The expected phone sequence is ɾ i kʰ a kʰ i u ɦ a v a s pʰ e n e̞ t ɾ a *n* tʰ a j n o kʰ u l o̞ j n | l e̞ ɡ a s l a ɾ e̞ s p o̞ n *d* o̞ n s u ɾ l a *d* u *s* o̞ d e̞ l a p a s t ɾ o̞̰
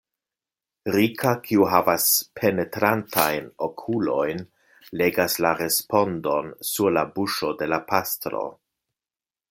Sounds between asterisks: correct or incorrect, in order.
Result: correct, correct, incorrect: b, incorrect: ʃ

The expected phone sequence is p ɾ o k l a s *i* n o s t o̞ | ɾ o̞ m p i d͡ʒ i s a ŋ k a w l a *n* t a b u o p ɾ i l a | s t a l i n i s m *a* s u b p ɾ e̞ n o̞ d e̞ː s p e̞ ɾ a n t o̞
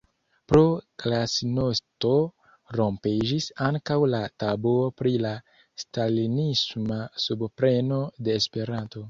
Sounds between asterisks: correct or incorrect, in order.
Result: correct, incorrect: none, correct

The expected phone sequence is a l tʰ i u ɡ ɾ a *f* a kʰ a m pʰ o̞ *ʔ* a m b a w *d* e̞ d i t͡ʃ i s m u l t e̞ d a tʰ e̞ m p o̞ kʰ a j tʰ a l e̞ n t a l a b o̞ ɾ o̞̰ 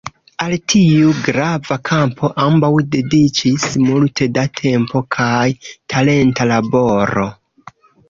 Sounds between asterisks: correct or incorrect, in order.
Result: incorrect: v, correct, correct

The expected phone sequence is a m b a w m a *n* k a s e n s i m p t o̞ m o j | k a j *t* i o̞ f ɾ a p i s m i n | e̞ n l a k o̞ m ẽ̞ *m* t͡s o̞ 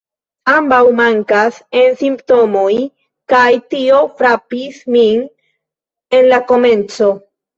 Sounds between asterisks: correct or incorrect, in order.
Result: incorrect: ŋ, correct, incorrect: n

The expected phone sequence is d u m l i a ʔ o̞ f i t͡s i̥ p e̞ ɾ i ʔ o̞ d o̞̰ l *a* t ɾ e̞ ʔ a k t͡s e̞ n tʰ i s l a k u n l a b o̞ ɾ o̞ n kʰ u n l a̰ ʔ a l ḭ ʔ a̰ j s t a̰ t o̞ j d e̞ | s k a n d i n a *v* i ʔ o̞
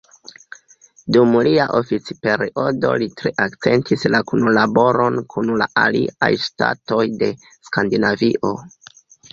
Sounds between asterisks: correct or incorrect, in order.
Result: incorrect: i, correct

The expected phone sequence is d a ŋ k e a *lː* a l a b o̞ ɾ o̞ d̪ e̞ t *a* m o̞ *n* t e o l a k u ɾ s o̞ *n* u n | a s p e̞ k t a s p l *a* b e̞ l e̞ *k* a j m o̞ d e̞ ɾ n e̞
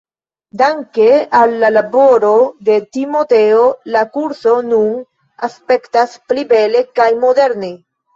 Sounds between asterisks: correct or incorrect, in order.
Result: correct, incorrect: i, incorrect: none, correct, incorrect: i, correct

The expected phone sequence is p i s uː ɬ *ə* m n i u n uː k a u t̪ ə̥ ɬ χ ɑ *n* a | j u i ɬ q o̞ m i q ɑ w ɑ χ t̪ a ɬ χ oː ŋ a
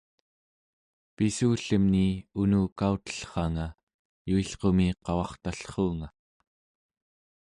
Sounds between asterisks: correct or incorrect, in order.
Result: correct, incorrect: ŋ

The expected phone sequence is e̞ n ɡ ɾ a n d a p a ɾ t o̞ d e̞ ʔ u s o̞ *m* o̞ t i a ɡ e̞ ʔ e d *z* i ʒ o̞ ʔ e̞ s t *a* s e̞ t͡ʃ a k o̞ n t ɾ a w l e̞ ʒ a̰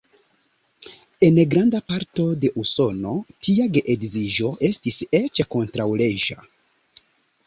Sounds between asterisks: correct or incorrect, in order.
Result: incorrect: n, correct, incorrect: i

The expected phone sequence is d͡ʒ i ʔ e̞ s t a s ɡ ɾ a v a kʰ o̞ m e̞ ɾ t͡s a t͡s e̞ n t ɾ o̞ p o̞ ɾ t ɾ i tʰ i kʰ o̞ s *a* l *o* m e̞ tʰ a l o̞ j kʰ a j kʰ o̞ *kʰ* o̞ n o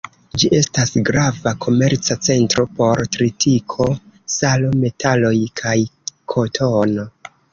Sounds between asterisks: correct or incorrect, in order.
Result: correct, correct, incorrect: tʰ

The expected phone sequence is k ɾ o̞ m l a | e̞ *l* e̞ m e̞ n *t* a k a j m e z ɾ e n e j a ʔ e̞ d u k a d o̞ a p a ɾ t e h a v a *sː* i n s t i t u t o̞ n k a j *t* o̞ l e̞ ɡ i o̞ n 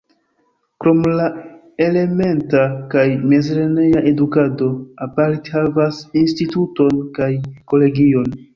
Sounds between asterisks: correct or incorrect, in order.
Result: correct, correct, incorrect: s, incorrect: k

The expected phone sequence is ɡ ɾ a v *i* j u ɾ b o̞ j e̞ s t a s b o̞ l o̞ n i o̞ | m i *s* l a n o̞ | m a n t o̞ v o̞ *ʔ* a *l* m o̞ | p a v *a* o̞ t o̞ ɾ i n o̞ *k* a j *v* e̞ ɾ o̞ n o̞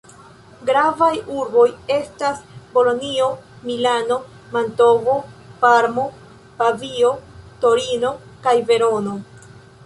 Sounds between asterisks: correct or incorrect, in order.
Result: incorrect: a, incorrect: none, incorrect: p, incorrect: ɾ, incorrect: i, correct, correct

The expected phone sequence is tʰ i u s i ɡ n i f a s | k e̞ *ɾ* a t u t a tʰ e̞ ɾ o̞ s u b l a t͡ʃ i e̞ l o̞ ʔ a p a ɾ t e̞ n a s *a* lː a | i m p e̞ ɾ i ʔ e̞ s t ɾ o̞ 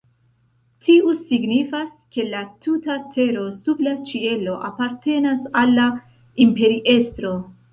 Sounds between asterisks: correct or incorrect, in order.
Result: incorrect: l, correct

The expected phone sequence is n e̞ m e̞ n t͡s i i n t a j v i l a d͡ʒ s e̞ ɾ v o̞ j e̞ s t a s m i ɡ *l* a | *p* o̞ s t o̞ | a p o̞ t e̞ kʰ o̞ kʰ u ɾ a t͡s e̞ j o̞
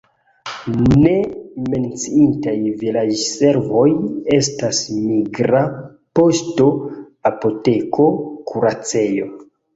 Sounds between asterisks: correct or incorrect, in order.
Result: incorrect: ɾ, correct

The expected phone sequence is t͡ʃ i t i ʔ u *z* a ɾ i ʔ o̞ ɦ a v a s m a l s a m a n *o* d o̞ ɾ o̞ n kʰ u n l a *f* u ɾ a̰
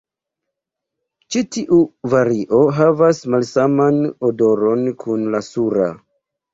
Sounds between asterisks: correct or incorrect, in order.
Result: incorrect: v, correct, incorrect: s

